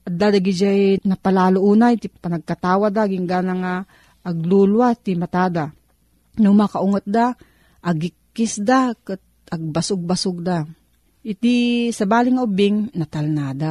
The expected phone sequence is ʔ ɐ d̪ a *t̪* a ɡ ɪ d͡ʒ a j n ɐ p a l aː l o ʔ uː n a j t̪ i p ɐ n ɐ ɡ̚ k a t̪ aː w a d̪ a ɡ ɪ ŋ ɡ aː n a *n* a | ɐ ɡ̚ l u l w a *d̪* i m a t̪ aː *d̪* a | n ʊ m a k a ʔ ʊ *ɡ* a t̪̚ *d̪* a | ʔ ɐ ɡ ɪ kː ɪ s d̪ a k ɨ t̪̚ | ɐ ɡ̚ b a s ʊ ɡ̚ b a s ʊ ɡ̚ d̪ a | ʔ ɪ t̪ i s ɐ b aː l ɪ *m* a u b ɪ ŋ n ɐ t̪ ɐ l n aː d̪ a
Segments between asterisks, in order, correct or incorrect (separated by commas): incorrect, incorrect, incorrect, correct, incorrect, correct, incorrect